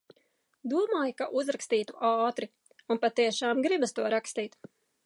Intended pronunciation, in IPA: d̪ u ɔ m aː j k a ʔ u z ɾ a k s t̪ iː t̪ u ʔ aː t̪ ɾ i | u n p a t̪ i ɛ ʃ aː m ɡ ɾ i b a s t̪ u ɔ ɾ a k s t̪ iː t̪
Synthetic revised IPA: d̪ u ɔ m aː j k a ʔ u z ɾ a k s t̪ iː t̪ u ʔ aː t̪ ɾ i | u n p a t̪ i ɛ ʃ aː m ɡ ɾ i b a s t̪ u ɔ ɾ a k s t̪ iː t̪